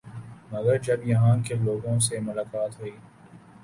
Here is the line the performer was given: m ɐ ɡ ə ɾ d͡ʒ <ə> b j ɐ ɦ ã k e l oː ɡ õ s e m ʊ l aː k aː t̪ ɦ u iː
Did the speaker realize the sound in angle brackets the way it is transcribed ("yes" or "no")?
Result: no